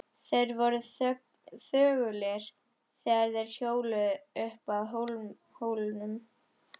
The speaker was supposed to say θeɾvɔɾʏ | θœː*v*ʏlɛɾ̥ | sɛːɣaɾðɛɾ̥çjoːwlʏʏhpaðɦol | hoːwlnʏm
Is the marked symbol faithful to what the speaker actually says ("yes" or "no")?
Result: no